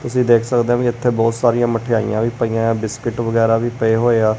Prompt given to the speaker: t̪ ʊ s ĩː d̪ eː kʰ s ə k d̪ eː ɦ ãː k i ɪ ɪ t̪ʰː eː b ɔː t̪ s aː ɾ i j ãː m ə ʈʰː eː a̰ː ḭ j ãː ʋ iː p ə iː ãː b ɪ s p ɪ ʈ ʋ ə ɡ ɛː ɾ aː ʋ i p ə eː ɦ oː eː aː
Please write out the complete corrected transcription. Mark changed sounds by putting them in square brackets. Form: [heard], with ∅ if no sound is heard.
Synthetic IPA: t̪ ʊ s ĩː d̪ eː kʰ s ə k d̪ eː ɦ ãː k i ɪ ɪ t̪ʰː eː b ɔː t̪ s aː ɾ i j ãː m ə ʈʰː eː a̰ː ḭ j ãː ʋ iː p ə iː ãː b ɪ s [k] ɪ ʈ ʋ ə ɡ ɛː ɾ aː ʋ [iː] p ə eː ɦ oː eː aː